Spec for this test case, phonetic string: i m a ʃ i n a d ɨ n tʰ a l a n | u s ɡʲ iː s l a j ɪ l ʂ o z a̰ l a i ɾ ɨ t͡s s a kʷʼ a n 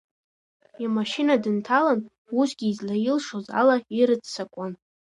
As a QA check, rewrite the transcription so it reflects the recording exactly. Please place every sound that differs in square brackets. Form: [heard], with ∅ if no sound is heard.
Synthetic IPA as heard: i m a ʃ i n a d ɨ n tʰ a l a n | u s ɡʲ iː [z] l a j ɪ l ʂ o z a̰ l a i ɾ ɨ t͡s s a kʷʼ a n